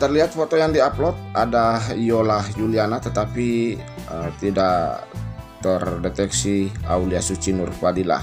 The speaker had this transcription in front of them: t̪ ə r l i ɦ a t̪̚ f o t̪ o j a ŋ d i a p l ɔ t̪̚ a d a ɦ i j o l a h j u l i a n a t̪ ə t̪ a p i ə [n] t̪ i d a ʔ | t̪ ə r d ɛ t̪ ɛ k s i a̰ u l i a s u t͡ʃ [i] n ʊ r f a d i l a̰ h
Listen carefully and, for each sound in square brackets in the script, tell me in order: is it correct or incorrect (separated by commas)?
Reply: incorrect, correct